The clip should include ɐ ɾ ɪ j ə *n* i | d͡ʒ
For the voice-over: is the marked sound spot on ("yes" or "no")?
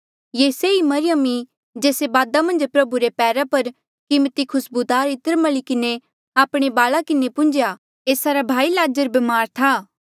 no